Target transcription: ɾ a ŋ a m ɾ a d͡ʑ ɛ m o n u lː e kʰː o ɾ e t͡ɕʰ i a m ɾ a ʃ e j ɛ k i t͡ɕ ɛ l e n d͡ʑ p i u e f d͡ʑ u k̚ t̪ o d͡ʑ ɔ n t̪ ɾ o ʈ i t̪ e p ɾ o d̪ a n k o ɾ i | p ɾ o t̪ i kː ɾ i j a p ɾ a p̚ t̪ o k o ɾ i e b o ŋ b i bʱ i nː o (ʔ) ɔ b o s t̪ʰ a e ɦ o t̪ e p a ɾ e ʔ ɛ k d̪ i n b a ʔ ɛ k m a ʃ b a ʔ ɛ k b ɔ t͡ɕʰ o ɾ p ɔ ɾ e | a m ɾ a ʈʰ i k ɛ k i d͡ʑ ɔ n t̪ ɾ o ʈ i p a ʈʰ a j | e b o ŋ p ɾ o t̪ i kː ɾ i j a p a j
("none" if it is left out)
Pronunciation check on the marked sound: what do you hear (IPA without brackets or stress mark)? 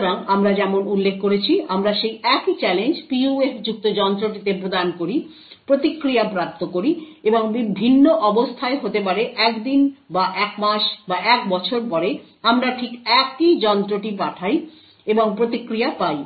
ʔ